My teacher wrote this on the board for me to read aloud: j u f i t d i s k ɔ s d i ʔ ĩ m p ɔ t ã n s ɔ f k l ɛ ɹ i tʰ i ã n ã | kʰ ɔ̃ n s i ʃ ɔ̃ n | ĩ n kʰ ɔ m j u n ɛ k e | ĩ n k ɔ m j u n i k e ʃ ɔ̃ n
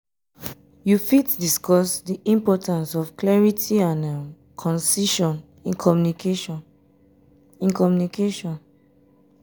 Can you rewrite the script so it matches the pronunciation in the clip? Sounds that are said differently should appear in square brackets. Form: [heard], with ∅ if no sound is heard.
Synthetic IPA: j u f i t d i s k ɔ s d i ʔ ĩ m p ɔ t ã n s ɔ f k l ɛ ɹ i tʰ i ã n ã | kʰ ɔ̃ n s i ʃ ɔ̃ n | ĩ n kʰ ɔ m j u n [i] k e | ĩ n k ɔ m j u n i k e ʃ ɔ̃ n